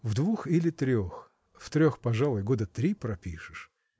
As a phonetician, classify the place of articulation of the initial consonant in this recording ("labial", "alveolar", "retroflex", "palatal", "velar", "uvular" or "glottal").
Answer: labial